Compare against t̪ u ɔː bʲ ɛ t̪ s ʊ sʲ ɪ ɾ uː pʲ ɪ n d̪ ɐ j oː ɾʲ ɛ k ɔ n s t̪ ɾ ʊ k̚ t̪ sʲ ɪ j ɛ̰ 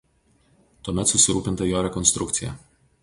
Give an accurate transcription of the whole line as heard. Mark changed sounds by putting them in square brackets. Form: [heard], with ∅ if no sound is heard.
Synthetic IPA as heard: t̪ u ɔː [mʲ] ɛ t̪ s ʊ sʲ ɪ ɾ uː pʲ ɪ n [t̪] ɐ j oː ɾʲ ɛ k ɔ n s t̪ ɾ ʊ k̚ t̪ sʲ ɪ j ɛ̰